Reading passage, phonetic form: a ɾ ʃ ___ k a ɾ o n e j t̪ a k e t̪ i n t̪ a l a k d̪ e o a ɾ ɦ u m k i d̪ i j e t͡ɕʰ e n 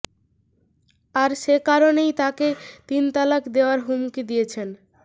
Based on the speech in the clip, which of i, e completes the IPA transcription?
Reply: e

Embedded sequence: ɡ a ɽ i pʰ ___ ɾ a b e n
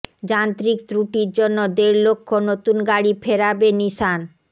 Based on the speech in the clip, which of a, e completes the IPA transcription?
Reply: e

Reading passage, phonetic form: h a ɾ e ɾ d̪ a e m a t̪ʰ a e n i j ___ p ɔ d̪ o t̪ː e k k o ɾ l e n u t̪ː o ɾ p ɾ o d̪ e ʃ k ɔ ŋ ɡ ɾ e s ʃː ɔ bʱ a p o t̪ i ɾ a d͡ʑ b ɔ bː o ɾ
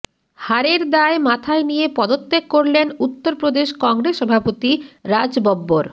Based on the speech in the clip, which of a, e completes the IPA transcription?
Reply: e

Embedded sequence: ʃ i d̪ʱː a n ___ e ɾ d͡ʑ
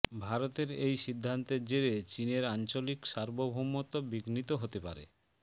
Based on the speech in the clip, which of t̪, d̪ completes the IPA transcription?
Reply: t̪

